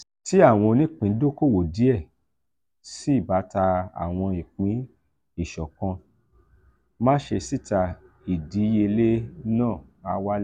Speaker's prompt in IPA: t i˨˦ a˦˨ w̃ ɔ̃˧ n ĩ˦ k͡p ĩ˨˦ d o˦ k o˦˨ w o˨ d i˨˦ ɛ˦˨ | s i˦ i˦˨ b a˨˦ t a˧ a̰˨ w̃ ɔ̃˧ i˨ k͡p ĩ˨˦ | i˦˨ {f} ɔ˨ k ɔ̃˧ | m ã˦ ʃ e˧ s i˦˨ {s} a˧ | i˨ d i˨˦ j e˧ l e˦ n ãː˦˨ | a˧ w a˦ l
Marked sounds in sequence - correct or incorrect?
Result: incorrect, incorrect

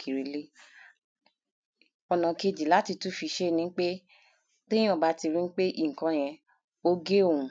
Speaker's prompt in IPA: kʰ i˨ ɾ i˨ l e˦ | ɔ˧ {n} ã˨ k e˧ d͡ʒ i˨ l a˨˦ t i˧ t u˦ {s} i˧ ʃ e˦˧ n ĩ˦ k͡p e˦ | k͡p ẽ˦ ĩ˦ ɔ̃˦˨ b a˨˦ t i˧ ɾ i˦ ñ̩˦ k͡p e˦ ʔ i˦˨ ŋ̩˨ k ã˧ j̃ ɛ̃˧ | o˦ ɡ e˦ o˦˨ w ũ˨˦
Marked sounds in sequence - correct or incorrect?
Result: correct, incorrect

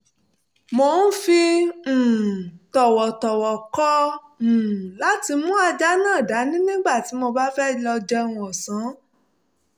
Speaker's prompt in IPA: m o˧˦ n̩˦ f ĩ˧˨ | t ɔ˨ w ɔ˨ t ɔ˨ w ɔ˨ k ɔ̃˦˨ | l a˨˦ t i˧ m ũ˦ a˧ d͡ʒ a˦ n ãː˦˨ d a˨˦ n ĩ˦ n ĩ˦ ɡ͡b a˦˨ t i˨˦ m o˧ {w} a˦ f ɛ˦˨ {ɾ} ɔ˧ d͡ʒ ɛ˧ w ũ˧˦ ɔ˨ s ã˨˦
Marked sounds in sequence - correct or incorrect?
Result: incorrect, incorrect

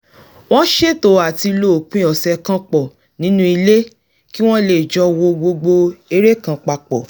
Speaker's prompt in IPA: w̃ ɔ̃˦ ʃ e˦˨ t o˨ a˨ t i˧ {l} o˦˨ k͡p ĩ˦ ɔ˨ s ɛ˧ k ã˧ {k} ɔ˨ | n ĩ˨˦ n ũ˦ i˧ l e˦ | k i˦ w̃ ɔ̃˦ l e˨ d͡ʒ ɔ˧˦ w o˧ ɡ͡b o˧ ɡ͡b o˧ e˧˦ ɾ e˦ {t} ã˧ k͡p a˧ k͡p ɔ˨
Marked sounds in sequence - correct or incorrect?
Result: correct, incorrect, incorrect

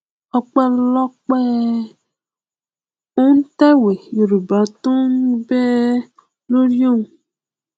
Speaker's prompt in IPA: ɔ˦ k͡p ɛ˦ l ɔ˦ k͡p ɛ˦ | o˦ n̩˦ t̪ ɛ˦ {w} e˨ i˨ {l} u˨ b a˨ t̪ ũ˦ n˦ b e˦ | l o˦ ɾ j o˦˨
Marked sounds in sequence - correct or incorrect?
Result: correct, incorrect

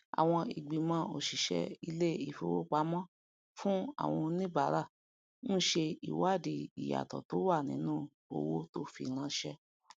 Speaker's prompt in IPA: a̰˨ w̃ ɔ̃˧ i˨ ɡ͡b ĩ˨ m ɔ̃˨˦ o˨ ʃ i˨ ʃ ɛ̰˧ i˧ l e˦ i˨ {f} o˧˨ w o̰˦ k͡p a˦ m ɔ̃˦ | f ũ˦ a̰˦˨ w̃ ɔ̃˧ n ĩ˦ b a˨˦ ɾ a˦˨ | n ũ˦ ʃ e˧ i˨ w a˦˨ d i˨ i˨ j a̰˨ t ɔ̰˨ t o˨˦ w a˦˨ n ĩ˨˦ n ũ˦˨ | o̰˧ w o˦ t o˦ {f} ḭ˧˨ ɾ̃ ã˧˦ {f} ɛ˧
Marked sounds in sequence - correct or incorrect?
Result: correct, correct, incorrect

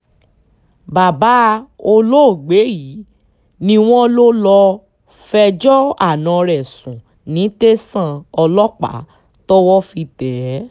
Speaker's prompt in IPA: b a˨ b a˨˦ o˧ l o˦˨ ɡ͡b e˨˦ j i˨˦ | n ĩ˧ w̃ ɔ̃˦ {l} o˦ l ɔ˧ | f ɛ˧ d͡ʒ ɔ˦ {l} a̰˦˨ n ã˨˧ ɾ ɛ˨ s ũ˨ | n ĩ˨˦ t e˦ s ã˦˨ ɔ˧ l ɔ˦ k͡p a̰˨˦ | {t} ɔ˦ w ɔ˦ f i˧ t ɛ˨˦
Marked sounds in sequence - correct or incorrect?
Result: correct, incorrect, correct

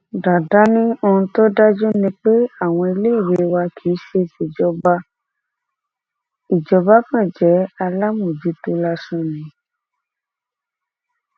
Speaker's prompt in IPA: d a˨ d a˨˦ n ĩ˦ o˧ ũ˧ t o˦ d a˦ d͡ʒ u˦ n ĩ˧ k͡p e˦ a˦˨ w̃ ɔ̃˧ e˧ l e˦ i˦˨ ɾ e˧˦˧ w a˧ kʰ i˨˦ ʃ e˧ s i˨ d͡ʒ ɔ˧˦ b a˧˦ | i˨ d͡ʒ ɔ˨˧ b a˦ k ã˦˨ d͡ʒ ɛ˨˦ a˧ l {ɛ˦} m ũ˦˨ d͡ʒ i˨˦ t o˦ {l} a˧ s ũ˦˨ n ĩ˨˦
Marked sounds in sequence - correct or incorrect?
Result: incorrect, correct

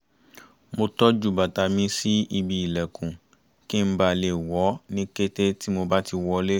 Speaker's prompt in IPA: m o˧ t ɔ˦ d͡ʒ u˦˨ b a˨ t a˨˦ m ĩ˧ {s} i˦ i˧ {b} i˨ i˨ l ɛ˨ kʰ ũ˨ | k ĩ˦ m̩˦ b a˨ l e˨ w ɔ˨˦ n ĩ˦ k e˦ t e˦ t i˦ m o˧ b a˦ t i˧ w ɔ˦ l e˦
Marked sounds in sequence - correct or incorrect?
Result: correct, correct

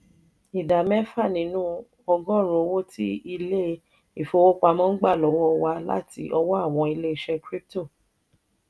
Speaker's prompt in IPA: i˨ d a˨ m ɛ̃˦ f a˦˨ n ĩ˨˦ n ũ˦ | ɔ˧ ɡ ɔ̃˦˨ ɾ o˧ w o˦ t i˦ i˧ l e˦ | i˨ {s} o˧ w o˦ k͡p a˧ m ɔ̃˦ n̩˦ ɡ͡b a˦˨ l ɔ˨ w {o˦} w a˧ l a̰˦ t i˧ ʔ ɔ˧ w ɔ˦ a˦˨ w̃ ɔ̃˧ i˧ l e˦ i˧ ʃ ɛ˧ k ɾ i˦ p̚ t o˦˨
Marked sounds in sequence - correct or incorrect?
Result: incorrect, incorrect

